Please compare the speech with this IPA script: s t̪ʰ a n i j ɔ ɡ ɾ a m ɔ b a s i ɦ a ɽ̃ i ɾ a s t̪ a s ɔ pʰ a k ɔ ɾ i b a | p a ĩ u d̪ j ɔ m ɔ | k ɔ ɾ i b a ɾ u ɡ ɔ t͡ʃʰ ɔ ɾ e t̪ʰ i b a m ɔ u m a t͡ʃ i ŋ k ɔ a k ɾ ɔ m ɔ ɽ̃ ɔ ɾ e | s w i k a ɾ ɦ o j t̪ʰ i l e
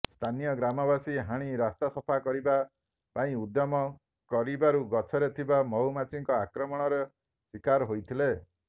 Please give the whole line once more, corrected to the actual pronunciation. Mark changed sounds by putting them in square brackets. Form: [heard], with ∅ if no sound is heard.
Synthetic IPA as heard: s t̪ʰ a n i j ɔ ɡ ɾ a m ɔ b a s i ɦ a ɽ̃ i ɾ a s t̪ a s ɔ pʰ a k ɔ ɾ i b a | p a ĩ u d̪ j ɔ m ɔ | k ɔ ɾ i b a ɾ u ɡ ɔ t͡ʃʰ ɔ ɾ e t̪ʰ i b a m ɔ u m a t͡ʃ i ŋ k ɔ a k ɾ ɔ m ɔ ɽ̃ ɔ ɾ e | s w i k a ɾ ɦ o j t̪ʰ i l e

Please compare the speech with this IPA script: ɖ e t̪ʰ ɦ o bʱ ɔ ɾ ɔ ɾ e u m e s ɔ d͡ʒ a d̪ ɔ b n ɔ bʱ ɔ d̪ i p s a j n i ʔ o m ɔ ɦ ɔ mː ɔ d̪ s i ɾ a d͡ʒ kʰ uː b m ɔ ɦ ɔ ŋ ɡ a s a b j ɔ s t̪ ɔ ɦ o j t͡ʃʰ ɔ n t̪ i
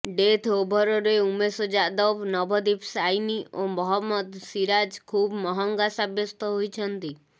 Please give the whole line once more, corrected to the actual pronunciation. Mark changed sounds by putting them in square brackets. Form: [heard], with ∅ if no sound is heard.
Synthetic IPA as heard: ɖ e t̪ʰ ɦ o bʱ ɔ ɾ ɔ ɾ e u m e s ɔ d͡ʒ a d̪ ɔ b n ɔ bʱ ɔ d̪ i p s a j n i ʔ o m ɔ ɦ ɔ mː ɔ d̪ s i ɾ a d͡ʒ kʰ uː b m ɔ ɦ ɔ ŋ ɡ a s a b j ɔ s t̪ ɔ ɦ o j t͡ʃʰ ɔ n t̪ i

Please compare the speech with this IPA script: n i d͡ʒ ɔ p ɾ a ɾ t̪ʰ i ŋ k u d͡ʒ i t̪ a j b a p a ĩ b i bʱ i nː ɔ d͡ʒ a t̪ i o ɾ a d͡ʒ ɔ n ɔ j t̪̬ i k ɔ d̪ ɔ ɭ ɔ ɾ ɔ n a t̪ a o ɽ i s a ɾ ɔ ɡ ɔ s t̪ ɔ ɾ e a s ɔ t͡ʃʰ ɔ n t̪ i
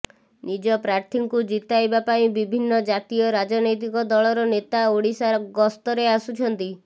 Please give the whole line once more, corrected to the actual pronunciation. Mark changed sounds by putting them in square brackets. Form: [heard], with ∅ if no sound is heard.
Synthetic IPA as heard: n i d͡ʒ ɔ p ɾ a ɾ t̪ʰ i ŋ k u d͡ʒ i t̪ a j b a p a ĩ b i bʱ i nː ɔ d͡ʒ a t̪ i [ɔ] ɾ a d͡ʒ ɔ n ɔ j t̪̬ i k ɔ d̪ ɔ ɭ ɔ ɾ ɔ n [e] t̪ a o ɽ i s a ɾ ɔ ɡ ɔ s t̪ ɔ ɾ e a s [u] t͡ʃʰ ɔ n t̪ i

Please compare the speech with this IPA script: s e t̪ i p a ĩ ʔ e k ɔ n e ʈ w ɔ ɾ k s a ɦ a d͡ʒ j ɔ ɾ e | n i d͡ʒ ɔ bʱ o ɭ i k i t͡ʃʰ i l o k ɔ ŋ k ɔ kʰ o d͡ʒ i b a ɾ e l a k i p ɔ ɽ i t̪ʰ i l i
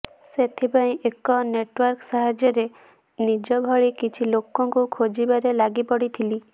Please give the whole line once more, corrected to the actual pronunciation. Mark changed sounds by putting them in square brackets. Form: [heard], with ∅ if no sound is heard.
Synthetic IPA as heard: s e [t̪ʰ] i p a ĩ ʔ e k ɔ n e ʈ w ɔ ɾ k s a ɦ a d͡ʒ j ɔ ɾ e | n i d͡ʒ ɔ bʱ [ɔ] ɭ i k i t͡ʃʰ i l o k ɔ ŋ k [u] kʰ o d͡ʒ i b a ɾ e l a [ɡ] i p ɔ ɽ i t̪ʰ i l i

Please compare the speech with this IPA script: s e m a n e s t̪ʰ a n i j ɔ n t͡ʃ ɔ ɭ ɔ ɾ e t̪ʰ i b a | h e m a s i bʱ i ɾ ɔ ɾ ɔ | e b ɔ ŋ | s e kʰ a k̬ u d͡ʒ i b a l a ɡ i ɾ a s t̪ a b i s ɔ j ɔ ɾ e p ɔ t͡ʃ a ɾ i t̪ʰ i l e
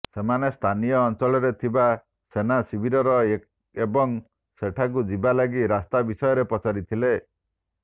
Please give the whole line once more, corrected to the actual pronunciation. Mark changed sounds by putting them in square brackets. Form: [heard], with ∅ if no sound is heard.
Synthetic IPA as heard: s e m a n e s t̪ʰ a n i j [ɔː] n t͡ʃ ɔ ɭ ɔ ɾ e t̪ʰ i b a | [s] e [n] a s i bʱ i ɾ ɔ ɾ ɔ | e b ɔ ŋ | s e [ʈʰ] a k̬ u d͡ʒ i b a l a ɡ i ɾ a s t̪ a b i s ɔ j ɔ ɾ e p ɔ t͡ʃ a ɾ i t̪ʰ i l e

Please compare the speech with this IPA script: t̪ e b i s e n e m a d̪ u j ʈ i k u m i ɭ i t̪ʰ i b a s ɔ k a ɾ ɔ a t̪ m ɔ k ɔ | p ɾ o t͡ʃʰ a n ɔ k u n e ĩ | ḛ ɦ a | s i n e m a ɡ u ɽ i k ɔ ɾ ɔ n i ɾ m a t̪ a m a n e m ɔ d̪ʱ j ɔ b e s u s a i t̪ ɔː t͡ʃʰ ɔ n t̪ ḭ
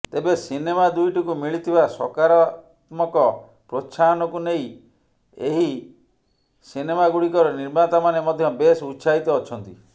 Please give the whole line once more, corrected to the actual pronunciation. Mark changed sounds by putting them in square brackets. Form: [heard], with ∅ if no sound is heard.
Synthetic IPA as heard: t̪ e b [e] s [i] n e m a d̪ u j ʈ i k u m i ɭ i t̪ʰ i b a s ɔ k a ɾ ɔ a t̪ m ɔ k ɔ | p ɾ o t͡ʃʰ a n ɔ k u n e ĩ | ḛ ɦ [i] | s i n e m a ɡ u ɽ i k ɔ ɾ ɔ n i ɾ m a t̪ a m a n e m ɔ d̪ʱ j ɔ b e s u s a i t̪ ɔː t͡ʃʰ ɔ n t̪ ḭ

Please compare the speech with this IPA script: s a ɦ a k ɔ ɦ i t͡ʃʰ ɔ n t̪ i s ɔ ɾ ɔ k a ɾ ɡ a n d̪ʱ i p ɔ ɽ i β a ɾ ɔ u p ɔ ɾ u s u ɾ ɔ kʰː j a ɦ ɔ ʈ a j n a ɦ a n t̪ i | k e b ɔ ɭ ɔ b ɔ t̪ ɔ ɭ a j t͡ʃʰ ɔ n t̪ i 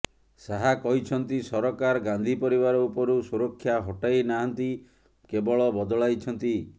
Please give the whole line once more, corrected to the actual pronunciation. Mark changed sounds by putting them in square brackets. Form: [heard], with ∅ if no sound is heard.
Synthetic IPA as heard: s a ɦ a k ɔ ɦ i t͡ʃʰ ɔ n t̪ i s ɔ ɾ ɔ k a ɾ ɡ a n d̪ʱ i p ɔ [ɾ] i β a ɾ ɔ u p ɔ ɾ u s u ɾ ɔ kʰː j a ɦ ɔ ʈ a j n a ɦ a n t̪ i | k e b ɔ ɭ ɔ b ɔ [d̪] ɔ ɭ a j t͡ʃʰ ɔ n t̪ i

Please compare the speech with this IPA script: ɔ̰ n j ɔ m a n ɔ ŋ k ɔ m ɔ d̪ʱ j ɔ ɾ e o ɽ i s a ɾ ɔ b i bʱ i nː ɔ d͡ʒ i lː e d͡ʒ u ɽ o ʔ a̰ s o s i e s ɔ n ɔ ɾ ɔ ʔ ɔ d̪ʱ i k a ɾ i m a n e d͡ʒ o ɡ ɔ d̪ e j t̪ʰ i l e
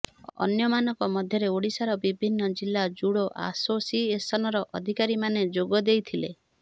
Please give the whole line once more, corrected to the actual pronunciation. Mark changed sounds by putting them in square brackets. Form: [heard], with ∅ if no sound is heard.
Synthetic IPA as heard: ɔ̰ n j ɔ m a n ɔ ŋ k ɔ m ɔ d̪ʱ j ɔ ɾ e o ɽ i s a ɾ ɔ b i bʱ i nː ɔ d͡ʒ i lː [a] d͡ʒ u ɽ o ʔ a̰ s o s i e s ɔ n ɔ ɾ ɔ ʔ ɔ d̪ʱ i k a ɾ i m a n e d͡ʒ o ɡ ɔ d̪ e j t̪ʰ i l e

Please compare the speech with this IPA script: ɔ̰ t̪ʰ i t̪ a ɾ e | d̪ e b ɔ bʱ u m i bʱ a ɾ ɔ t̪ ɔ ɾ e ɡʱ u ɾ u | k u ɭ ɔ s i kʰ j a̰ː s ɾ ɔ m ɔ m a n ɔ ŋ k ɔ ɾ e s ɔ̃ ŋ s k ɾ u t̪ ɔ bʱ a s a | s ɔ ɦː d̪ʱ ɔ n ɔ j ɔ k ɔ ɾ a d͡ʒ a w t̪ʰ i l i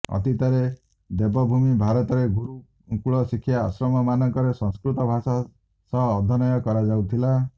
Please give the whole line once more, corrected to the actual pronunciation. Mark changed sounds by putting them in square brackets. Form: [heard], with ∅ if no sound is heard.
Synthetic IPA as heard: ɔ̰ [t̪] i t̪ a ɾ e | d̪ e b ɔ bʱ u m i bʱ a ɾ ɔ t̪ ɔ ɾ e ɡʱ u ɾ u | k u ɭ ɔ s i kʰ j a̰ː s ɾ ɔ m ɔ m a n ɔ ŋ k ɔ ɾ e s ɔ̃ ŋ s k ɾ u t̪ ɔ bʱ a s a | s ɔ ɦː d̪ʱ ɔ n ɔ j ɔ k ɔ ɾ a d͡ʒ a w t̪ʰ i l [a]

